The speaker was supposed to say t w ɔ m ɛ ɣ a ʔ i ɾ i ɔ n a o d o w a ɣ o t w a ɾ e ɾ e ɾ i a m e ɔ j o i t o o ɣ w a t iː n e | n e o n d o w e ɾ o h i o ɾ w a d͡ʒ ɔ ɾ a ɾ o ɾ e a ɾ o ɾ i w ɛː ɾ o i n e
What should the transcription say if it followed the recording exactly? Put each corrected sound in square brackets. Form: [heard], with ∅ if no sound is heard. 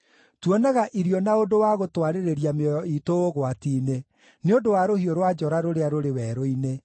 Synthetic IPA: t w ɔ [n] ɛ ɣ a ʔ i ɾ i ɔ n a o d o w a ɣ o t w a ɾ e ɾ e ɾ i a m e ɔ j [ɔ] i t o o ɣ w a t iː n e | n e o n d o w [a] ɾ o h i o ɾ w a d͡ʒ ɔ ɾ a ɾ o ɾ e a ɾ o ɾ [e] w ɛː ɾ o i n e